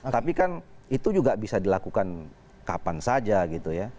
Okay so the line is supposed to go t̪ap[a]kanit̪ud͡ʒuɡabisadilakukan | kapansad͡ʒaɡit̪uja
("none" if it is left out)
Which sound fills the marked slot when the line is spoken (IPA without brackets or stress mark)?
i